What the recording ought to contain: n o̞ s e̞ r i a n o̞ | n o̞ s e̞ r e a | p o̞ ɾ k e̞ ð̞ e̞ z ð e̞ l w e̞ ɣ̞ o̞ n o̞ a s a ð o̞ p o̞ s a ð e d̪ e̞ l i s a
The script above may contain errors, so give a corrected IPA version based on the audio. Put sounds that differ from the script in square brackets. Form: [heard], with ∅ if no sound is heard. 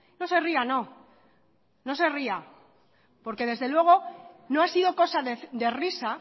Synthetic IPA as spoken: n o̞ s e̞ r i a n o̞ | n o̞ s e̞ r [i] a | p o̞ ɾ k e̞ ð̞ e̞ z ð e̞ l w e̞ ɣ̞ o̞ n o̞ a s [i] ð o̞ [k] o̞ s a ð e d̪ e̞ [r] i s a